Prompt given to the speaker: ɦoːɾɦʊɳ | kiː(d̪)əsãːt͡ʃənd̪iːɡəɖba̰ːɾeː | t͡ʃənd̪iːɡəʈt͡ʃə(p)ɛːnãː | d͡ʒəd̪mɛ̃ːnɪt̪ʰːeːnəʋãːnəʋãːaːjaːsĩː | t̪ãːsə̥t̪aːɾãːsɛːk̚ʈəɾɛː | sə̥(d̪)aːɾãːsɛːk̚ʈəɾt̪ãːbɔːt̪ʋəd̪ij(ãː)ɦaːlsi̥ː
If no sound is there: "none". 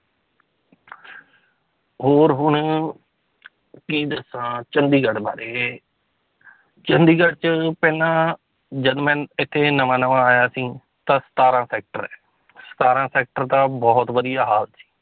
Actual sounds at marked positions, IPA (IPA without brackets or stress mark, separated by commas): d̪, p, t̪, aː